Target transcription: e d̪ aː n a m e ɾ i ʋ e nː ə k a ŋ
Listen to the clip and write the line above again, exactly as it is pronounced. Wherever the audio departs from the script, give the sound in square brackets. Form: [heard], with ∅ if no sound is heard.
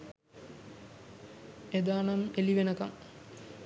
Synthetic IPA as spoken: e d̪ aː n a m e [l] i ʋ e [n] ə k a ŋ